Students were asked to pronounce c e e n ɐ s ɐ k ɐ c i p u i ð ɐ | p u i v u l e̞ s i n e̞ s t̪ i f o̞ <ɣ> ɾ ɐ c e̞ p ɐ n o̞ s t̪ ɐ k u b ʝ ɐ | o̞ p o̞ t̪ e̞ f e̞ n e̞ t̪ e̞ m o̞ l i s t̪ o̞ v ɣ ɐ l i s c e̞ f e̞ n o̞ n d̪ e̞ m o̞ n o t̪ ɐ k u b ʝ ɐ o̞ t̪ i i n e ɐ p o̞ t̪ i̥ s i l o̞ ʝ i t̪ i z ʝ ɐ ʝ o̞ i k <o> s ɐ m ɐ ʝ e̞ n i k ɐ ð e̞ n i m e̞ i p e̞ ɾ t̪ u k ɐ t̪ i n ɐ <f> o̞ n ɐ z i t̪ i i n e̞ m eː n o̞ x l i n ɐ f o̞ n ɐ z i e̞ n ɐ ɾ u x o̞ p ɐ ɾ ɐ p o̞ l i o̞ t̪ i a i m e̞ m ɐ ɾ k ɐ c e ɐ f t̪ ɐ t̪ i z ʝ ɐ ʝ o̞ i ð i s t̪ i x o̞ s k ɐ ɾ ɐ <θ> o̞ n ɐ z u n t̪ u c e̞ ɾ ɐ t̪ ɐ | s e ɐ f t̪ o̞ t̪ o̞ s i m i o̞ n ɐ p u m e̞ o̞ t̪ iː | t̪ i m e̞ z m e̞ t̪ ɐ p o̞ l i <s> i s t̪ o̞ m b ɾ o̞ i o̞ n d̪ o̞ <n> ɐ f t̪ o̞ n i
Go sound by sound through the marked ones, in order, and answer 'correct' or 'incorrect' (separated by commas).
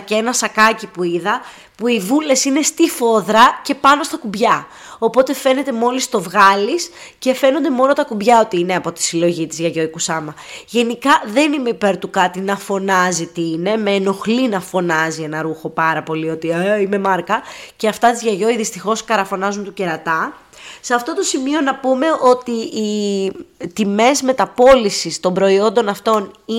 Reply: incorrect, incorrect, correct, incorrect, correct, correct